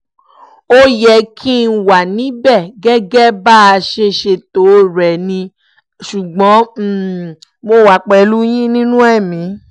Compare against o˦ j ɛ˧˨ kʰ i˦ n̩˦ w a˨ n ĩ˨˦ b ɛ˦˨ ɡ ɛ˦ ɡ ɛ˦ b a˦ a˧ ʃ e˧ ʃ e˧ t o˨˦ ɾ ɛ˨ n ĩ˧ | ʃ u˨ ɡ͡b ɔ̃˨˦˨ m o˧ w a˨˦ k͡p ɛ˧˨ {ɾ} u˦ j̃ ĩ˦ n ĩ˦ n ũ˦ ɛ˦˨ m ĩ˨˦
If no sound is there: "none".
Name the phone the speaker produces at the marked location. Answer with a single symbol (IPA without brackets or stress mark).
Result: l